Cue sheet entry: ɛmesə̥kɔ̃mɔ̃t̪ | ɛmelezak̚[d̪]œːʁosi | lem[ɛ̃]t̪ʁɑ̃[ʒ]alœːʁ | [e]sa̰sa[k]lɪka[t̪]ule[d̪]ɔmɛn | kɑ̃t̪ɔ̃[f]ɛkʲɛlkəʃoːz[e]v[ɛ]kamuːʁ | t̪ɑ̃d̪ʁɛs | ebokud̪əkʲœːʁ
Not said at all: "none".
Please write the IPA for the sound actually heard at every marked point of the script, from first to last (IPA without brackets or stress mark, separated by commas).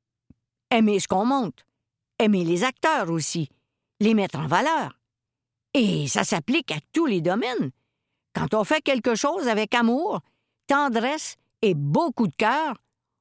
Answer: t̪, ɛ, v, e, p, t̪, d̪, f, a, ɛ